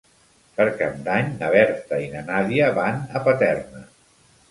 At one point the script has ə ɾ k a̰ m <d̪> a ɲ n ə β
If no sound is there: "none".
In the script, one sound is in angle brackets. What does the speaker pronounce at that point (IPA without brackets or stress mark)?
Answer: d̪